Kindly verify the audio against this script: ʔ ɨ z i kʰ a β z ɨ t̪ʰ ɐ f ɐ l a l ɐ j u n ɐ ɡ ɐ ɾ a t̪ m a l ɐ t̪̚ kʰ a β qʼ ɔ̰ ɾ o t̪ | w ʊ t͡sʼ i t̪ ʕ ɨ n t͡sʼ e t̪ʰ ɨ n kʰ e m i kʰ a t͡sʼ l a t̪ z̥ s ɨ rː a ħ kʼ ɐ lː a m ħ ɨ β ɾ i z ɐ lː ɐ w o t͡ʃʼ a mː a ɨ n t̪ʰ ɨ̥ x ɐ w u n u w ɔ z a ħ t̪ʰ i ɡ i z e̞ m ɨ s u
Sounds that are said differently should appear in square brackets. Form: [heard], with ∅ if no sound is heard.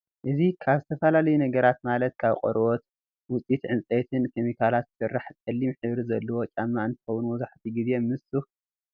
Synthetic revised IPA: ʔ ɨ z i kʰ a β z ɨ t̪ʰ ɐ f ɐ l a l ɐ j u n ɐ ɡ ɐ ɾ a t̪ m a l ɐ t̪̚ kʰ a β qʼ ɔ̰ ɾ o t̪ | w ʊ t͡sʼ i t̪ ʕ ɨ n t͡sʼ e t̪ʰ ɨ n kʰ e m i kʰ a [∅] l a t̪ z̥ s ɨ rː a ħ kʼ ɐ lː [i] m ħ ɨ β ɾ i z ɐ lː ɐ w o t͡ʃʼ a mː a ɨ n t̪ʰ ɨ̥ x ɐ w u n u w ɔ z a ħ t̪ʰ i ɡ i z e̞ m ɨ s u